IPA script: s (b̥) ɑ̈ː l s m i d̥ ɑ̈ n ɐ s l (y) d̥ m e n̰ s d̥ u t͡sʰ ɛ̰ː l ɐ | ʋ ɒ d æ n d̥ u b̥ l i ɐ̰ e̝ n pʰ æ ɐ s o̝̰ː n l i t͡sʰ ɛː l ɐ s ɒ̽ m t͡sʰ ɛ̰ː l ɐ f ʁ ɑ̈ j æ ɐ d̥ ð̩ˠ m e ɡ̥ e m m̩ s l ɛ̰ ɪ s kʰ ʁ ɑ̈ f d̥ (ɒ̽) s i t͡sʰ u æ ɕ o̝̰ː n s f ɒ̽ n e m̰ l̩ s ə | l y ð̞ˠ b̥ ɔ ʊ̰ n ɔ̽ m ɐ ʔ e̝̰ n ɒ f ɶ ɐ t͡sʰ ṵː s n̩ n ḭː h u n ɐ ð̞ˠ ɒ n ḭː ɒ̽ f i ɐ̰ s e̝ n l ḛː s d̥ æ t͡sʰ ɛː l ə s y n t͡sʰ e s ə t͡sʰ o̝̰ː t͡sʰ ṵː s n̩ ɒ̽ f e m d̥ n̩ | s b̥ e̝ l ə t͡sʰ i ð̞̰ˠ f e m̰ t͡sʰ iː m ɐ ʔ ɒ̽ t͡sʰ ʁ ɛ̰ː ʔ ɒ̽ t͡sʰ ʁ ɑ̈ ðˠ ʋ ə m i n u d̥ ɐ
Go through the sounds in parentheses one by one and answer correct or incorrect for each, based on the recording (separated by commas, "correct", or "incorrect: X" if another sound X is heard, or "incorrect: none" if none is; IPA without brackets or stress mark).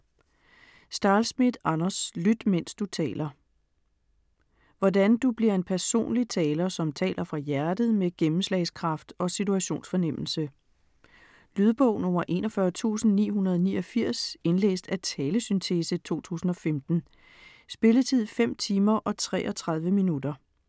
incorrect: d̥, correct, correct